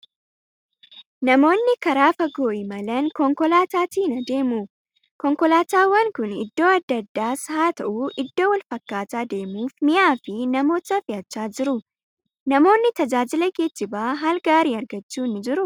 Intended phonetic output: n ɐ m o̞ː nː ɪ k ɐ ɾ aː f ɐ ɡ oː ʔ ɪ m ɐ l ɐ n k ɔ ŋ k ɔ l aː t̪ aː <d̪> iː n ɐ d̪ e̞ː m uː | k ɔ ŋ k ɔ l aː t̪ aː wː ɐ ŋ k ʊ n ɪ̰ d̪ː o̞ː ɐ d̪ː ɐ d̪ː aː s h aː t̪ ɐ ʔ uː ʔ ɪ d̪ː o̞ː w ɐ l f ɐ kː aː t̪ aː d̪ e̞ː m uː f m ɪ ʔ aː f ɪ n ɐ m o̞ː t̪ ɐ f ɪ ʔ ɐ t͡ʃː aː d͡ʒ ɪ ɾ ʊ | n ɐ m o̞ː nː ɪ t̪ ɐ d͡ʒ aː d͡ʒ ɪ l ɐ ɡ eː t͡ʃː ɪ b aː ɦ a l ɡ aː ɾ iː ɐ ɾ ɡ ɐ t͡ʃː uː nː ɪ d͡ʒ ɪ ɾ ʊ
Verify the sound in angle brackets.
incorrect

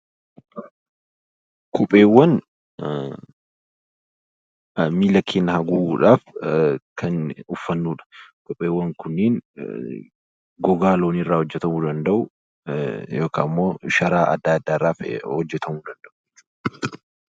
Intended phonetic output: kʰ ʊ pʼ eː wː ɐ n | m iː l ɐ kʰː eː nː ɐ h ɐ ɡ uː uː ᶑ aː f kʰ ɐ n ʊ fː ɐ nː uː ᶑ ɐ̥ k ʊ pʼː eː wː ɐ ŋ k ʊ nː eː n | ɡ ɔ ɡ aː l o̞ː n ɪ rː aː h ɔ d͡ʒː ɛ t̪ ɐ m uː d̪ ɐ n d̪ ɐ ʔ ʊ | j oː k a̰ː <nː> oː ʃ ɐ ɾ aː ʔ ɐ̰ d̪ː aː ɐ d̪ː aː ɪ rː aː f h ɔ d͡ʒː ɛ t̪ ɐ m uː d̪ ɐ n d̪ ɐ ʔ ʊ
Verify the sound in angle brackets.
incorrect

